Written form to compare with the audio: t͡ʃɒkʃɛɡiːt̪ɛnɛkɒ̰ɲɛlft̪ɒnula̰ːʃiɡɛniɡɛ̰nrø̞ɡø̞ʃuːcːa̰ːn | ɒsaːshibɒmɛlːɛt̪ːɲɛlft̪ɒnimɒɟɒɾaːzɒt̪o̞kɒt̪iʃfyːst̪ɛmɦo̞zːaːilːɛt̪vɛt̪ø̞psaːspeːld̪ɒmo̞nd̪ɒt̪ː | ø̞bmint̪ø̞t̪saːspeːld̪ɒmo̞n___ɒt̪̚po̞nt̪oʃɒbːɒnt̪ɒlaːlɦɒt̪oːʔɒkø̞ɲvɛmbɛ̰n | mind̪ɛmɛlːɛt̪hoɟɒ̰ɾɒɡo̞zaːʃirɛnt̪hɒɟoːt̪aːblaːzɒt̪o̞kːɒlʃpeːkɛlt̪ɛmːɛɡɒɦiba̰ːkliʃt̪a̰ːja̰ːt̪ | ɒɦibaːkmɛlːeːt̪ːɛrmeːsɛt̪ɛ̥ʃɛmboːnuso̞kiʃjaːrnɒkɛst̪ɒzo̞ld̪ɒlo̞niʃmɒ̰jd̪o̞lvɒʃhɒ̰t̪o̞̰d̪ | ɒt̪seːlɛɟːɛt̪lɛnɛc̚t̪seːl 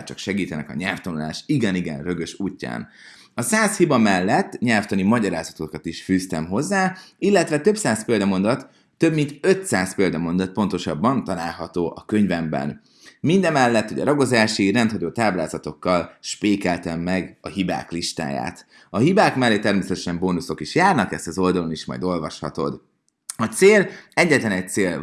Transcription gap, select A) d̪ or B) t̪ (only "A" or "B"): A